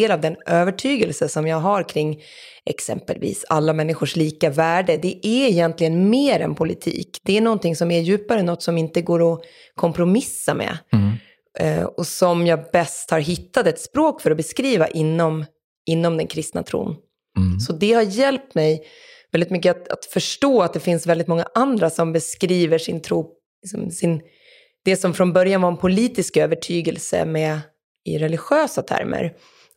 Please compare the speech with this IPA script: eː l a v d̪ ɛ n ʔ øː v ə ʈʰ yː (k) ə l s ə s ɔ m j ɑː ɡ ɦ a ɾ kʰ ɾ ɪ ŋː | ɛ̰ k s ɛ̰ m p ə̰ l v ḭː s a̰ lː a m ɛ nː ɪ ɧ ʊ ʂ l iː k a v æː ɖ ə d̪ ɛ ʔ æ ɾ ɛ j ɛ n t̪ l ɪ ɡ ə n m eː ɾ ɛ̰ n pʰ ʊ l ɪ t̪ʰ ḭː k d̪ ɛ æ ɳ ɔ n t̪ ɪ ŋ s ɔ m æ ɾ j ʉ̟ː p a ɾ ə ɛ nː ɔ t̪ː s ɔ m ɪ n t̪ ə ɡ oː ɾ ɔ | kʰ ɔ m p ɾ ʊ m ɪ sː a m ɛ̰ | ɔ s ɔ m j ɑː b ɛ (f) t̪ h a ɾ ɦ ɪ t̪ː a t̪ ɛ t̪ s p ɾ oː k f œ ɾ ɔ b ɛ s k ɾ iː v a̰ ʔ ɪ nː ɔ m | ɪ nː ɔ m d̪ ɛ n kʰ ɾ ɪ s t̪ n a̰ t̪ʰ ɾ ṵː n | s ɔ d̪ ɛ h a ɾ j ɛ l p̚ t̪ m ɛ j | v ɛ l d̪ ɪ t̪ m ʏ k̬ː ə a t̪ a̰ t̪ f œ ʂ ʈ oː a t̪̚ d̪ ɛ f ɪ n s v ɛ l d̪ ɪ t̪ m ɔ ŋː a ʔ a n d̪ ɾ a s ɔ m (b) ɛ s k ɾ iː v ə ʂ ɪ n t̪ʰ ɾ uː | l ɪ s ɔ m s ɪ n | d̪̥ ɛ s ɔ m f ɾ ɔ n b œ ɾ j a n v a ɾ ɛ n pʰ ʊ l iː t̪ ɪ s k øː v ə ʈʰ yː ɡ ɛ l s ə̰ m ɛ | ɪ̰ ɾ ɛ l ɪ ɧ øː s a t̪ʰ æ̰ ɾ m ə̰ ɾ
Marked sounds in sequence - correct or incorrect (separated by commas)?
incorrect, incorrect, correct